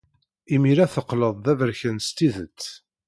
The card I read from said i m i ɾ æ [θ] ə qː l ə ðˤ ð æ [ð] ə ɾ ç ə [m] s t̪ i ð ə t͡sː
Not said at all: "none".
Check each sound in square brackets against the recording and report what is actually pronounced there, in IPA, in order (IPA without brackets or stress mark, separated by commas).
θ, v, n